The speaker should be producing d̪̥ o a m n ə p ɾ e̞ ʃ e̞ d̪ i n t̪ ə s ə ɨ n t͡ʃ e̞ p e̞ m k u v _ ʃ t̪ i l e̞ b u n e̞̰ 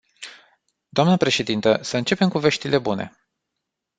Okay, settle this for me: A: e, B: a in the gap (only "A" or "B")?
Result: A